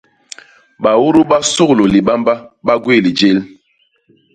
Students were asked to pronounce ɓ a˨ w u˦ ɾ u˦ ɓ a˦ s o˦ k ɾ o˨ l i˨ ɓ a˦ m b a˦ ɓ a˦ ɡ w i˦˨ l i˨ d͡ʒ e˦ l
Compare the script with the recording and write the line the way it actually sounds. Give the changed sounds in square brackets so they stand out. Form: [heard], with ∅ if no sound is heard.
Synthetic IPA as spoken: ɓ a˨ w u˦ ɾ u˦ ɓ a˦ s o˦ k [l] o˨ l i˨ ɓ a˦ m b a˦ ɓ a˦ ɡ w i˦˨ l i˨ d͡ʒ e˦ l